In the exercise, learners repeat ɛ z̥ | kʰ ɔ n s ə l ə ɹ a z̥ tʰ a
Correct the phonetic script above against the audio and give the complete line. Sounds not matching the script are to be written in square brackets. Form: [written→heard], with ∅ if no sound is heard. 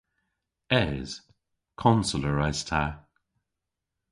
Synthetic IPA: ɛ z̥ | kʰ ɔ n s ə l ə ɹ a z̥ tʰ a